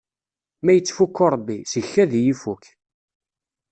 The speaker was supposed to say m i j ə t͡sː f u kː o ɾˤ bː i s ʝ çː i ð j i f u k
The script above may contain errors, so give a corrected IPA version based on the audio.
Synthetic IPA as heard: m æ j ə t͡sː f u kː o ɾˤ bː i s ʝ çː æ ð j i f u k